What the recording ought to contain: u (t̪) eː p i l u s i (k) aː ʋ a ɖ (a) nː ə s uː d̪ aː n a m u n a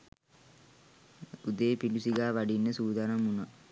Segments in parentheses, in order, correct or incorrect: incorrect: d̪, incorrect: ɡ, incorrect: i

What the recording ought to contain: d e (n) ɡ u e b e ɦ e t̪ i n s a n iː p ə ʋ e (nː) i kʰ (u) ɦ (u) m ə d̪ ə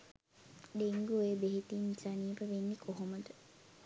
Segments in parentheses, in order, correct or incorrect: incorrect: ŋ, correct, incorrect: o, incorrect: o

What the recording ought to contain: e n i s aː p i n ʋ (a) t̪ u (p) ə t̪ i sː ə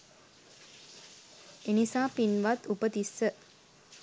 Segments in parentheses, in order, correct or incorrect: correct, correct

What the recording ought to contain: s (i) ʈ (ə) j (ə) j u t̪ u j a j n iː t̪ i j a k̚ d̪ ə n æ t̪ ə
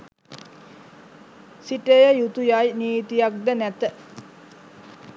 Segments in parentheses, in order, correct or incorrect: correct, correct, correct

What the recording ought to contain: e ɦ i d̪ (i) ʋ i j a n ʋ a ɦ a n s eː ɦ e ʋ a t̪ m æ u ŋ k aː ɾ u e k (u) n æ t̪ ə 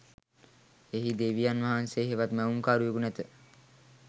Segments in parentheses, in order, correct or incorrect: incorrect: e, correct

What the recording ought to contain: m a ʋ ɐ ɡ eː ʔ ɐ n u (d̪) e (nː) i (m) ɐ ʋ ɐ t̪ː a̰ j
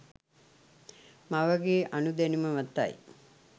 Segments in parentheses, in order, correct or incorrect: correct, incorrect: n, correct

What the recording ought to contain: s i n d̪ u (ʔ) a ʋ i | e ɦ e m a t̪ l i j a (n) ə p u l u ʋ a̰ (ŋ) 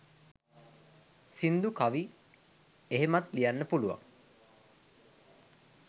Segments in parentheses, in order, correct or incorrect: incorrect: k, incorrect: nː, correct

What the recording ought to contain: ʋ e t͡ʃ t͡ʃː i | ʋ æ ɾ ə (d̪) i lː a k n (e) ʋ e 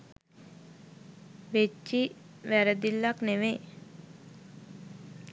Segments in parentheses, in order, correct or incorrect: correct, correct

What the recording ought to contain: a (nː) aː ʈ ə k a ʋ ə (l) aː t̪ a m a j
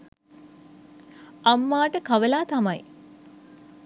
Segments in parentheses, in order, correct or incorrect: incorrect: mː, correct

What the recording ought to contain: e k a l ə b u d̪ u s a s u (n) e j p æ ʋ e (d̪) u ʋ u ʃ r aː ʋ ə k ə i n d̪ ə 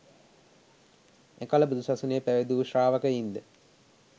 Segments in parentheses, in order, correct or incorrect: correct, correct

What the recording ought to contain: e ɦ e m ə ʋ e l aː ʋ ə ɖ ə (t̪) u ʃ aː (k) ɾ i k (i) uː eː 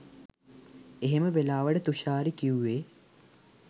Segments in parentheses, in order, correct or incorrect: correct, incorrect: none, correct

